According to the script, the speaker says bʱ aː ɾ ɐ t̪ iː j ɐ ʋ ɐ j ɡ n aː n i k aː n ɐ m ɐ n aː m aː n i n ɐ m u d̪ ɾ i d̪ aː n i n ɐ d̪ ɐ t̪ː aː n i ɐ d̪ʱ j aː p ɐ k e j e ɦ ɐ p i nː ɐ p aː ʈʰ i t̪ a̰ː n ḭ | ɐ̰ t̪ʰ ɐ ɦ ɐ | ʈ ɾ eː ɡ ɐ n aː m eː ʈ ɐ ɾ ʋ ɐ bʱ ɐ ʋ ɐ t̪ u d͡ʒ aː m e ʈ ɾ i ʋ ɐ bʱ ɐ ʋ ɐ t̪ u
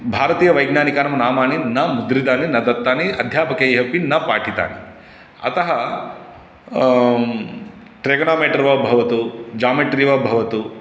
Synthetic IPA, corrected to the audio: bʱ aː ɾ ɐ t̪ iː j ɐ ʋ ɐ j ɡ n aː n i k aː n ɐ m ɐ n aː m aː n i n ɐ m u d̪ ɾ i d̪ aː n i n ɐ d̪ ɐ t̪ː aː n i ɐ d̪ʱ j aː p ɐ k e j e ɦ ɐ p i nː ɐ p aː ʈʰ i t̪ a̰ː n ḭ | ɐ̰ t̪ ɐ ɦ ɐ | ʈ ɾ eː ɡ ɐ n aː m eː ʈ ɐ ɾ ʋ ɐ bʱ ɐ ʋ ɐ t̪ u d͡ʒ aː m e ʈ ɾ i ʋ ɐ bʱ ɐ ʋ ɐ t̪ u